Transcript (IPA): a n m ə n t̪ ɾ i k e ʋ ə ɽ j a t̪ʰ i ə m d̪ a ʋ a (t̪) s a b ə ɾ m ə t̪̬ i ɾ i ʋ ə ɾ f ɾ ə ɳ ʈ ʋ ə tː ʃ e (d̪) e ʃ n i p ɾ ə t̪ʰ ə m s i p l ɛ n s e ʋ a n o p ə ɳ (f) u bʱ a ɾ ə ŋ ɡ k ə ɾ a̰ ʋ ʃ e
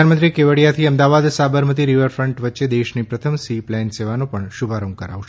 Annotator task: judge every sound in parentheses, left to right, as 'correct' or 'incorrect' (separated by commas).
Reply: incorrect, correct, incorrect